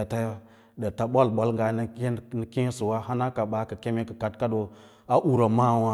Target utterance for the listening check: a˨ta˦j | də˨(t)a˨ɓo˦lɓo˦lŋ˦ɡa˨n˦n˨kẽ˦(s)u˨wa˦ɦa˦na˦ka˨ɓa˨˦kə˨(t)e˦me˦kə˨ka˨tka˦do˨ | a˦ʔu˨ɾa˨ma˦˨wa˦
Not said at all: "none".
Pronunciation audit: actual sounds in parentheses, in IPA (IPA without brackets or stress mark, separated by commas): t, s, k